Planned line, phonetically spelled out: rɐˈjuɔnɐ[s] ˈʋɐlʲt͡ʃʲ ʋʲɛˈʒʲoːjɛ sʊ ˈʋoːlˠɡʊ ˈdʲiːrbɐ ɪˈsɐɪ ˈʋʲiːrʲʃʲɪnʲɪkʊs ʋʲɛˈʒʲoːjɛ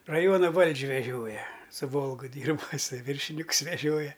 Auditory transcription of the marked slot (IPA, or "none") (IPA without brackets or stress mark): none